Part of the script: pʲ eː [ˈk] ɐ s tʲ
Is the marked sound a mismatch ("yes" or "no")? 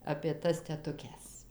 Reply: yes